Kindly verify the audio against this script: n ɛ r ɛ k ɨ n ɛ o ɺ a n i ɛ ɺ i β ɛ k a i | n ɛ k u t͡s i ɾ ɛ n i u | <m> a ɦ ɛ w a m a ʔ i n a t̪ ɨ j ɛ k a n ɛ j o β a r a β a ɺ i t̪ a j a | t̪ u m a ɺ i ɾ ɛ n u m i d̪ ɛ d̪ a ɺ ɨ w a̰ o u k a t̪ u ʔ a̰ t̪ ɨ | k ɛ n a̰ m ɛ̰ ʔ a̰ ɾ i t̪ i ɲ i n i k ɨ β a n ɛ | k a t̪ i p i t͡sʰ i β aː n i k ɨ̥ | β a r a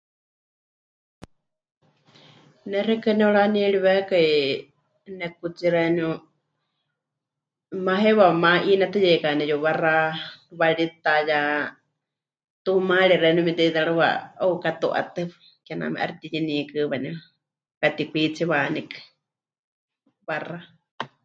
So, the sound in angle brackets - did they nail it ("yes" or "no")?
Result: yes